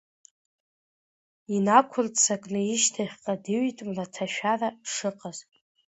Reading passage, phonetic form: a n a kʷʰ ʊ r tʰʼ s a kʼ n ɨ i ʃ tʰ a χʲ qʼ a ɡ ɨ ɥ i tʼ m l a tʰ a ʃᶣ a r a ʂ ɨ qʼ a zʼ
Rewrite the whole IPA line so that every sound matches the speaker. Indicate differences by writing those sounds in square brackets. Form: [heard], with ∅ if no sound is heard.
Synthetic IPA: [i] n a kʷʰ ʊ r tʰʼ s a kʼ n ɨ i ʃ tʰ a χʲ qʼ a [d] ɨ ɥ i tʼ m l a tʰ a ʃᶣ a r a ʂ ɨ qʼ a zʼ